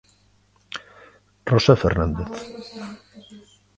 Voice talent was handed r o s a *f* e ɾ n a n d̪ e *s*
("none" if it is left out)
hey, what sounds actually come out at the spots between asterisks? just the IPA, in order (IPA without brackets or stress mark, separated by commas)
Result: f, θ